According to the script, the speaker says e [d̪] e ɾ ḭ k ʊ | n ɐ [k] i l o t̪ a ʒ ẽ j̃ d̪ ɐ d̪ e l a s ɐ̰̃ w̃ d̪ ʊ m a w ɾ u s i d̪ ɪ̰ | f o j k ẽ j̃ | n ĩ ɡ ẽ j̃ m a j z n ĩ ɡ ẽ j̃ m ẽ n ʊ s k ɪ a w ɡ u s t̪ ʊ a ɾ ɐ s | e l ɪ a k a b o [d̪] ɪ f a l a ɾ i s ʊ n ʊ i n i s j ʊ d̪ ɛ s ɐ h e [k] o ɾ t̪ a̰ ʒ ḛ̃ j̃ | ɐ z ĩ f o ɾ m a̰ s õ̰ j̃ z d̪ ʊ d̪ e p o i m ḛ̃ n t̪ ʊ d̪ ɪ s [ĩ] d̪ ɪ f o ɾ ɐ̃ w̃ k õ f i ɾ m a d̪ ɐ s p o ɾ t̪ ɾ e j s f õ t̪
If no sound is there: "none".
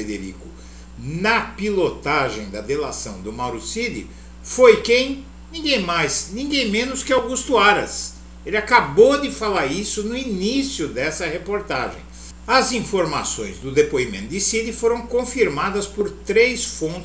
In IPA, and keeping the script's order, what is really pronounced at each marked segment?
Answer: d̪, p, d̪, p, i

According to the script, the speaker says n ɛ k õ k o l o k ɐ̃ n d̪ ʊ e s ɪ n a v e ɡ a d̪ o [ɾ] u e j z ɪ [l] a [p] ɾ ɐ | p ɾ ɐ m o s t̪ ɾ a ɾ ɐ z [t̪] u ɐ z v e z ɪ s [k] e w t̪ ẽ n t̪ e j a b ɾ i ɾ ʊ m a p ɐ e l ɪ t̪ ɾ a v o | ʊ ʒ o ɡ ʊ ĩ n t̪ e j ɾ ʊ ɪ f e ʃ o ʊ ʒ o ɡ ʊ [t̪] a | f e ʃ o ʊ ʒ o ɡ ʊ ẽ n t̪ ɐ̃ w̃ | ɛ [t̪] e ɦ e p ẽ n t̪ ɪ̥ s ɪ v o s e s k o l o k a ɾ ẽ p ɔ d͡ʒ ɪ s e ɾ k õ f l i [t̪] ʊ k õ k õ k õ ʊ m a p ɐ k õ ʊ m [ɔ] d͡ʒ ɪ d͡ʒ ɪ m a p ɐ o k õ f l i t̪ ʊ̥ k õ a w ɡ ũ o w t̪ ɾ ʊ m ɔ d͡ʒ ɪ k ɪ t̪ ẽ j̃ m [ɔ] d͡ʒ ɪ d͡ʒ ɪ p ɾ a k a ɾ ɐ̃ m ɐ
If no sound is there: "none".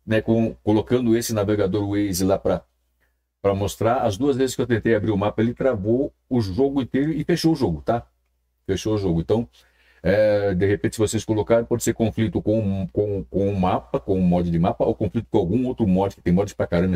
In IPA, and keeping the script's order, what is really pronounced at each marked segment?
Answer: ɾ, l, p, d̪, k, t̪, d̪, t̪, ɔ, ɔ

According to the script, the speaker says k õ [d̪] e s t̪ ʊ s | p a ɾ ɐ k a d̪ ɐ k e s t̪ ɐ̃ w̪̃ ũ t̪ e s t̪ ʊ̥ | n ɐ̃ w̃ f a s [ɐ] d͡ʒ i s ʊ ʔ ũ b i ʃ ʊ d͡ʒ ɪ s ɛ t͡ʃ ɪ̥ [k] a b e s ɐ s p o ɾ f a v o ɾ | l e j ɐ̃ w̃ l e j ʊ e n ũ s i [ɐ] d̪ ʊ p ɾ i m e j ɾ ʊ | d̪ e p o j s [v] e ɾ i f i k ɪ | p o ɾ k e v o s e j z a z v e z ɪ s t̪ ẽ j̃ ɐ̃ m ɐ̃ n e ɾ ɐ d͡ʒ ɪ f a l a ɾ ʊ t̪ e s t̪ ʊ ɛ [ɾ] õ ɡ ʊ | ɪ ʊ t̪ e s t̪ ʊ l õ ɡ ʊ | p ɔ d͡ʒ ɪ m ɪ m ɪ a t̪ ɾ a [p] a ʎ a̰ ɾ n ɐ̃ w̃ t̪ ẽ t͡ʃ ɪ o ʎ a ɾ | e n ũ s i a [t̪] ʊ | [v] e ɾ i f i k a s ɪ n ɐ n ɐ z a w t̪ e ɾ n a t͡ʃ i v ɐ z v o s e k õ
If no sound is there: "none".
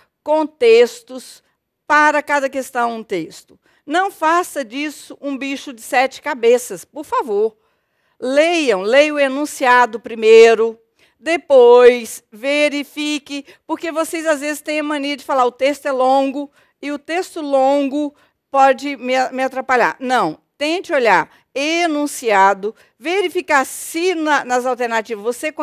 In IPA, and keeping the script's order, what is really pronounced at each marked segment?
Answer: t̪, ɐ, k, a, v, l, p, d̪, v

